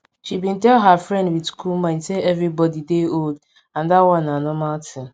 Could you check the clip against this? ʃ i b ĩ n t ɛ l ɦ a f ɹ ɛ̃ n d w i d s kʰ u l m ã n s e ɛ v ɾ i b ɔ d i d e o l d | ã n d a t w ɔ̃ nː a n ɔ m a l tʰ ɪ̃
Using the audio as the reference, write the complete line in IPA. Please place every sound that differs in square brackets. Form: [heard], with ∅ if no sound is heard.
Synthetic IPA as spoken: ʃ i b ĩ n t ɛ l ɦ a f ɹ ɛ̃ n d w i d s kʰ u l m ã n s e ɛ v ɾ i b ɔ d i d e o l d | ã n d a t w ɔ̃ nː a n ɔ m a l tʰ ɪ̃